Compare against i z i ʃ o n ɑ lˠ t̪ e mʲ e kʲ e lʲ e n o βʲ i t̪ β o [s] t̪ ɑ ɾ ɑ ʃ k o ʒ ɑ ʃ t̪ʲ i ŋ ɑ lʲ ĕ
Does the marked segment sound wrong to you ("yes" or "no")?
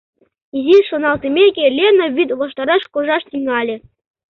yes